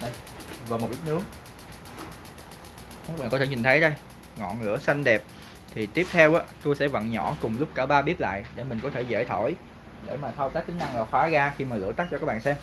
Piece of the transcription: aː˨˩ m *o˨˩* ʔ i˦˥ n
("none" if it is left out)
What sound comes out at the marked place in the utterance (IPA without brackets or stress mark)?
o˨˩